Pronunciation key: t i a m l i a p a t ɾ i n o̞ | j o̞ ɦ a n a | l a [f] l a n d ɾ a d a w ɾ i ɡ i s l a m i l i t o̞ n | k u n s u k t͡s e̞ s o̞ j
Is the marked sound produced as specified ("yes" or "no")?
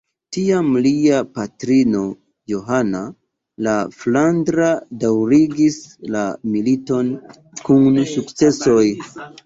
yes